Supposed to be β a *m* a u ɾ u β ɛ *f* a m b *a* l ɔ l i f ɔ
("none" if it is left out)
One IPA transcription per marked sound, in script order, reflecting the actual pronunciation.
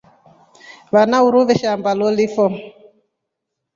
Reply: n, ʃ, a

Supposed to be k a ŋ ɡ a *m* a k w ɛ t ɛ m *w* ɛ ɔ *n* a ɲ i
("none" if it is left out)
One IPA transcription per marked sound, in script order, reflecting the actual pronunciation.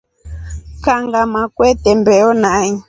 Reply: m, b, n

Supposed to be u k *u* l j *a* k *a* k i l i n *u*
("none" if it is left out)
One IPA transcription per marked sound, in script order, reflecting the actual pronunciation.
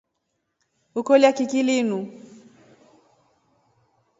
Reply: ɔ, a, i, u

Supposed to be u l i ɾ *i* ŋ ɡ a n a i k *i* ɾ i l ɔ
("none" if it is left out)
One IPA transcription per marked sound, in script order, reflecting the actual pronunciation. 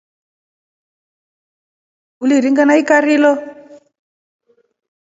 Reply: i, a

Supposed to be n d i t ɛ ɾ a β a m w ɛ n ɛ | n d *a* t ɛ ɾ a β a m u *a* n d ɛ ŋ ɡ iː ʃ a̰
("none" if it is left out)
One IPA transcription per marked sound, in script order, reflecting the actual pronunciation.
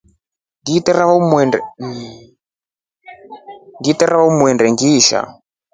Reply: i, ɛ

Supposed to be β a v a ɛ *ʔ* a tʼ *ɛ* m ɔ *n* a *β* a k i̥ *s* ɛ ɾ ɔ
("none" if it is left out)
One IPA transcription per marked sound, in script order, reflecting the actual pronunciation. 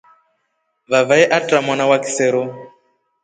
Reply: ʔ, a, n, w, s

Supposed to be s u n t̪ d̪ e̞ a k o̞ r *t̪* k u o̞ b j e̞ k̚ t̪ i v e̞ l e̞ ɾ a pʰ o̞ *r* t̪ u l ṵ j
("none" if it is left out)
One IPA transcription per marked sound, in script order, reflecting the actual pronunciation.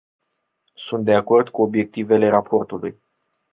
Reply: d̪, r

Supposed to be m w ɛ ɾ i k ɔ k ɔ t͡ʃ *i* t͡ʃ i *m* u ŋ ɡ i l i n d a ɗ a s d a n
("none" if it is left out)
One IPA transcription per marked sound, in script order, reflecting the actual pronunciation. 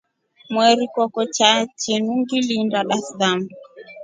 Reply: a, n

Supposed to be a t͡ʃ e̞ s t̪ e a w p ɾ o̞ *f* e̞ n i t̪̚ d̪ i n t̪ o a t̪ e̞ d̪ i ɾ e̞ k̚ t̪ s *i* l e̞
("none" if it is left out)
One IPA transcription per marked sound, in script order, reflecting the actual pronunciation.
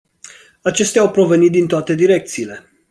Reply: v, iː

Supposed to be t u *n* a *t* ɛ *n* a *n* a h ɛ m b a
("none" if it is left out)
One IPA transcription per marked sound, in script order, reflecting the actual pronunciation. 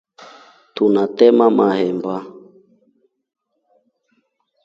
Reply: n, t, m, m

